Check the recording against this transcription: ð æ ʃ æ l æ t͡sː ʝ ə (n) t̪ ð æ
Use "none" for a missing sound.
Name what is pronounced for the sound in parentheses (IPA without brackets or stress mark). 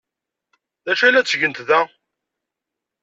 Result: n